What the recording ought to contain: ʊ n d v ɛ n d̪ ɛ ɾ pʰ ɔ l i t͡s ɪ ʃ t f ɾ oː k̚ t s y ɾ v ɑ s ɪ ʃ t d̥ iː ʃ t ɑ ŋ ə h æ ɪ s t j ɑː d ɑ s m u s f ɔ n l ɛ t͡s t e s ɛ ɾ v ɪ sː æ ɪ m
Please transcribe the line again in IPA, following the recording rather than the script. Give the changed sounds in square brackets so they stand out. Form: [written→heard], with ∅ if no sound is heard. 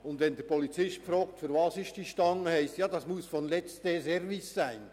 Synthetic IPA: ʊ n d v ɛ n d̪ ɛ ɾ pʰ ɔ l i t͡s ɪ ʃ t f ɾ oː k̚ t [s→f] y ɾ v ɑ s ɪ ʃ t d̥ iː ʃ t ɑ ŋ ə h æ ɪ s t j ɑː d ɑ s m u s f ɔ n l ɛ t͡s t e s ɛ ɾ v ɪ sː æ ɪ [m→n]